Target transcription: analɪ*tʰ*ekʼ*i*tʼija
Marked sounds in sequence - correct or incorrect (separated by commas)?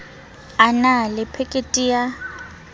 incorrect, incorrect